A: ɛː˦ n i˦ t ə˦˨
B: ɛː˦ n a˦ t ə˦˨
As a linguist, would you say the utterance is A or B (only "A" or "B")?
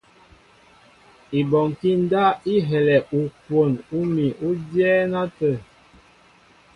B